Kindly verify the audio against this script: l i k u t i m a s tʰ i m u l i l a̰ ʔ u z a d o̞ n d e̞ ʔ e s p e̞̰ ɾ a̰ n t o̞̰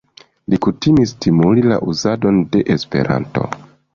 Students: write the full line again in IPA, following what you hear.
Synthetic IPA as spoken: l i k u t i m i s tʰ i m u l i l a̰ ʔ u z a d o̞ n d e̞ ʔ e s p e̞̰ ɾ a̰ n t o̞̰